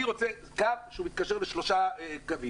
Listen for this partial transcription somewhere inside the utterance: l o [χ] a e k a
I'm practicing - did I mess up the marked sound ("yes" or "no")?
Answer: yes